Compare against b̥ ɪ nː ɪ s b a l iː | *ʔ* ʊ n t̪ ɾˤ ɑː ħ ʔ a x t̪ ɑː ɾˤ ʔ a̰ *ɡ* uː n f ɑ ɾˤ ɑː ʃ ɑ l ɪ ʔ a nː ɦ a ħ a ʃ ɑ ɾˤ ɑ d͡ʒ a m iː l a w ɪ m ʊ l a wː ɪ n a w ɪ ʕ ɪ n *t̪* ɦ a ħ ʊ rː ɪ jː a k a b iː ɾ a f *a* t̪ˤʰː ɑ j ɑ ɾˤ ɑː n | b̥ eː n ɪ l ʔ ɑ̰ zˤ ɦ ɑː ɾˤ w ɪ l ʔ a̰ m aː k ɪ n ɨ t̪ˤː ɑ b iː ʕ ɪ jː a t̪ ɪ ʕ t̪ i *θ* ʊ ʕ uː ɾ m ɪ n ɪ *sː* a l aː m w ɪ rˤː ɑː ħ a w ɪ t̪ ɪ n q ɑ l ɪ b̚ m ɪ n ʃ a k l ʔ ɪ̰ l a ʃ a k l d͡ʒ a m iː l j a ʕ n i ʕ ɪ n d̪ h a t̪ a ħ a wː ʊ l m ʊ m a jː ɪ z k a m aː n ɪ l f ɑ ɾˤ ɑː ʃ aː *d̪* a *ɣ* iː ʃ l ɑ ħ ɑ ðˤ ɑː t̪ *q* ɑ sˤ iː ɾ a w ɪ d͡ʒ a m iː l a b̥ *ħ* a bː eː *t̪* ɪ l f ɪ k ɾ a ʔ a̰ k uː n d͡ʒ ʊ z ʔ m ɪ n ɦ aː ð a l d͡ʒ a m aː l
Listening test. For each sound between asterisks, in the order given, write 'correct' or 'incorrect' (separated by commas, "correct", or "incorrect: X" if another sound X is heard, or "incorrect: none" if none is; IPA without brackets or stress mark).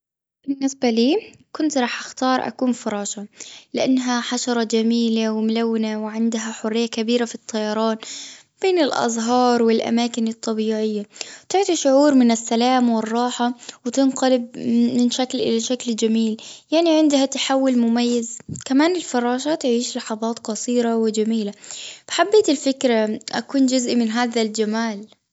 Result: incorrect: k, incorrect: k, incorrect: d̪, incorrect: i, incorrect: ʃ, correct, incorrect: t̪, incorrect: ʕ, correct, correct, correct